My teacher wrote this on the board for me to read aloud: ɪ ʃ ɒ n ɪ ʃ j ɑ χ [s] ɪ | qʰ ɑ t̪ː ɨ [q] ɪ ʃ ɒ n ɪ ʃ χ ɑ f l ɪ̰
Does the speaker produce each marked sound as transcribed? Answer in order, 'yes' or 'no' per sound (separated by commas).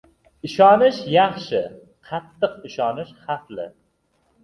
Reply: no, yes